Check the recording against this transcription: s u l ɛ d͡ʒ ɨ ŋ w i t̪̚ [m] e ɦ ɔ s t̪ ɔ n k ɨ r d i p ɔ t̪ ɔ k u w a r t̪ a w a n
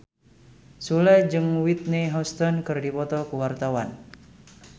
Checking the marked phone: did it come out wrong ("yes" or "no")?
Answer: yes